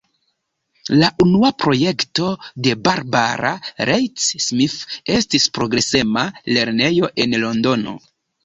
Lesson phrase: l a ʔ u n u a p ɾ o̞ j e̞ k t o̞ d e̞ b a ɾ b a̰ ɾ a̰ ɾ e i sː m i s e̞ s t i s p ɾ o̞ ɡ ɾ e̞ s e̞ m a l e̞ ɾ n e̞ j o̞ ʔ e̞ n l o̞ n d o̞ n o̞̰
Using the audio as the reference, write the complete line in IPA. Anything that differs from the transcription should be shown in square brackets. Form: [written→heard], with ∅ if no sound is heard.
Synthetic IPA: l a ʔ u n u a p ɾ o̞ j e̞ k t o̞ d e̞ b a ɾ b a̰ ɾ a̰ ɾ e [i→j] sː m i [s→f] e̞ s t i s p ɾ o̞ ɡ ɾ e̞ s e̞ m a l e̞ ɾ n e̞ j o̞ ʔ e̞ n l o̞ n d o̞ n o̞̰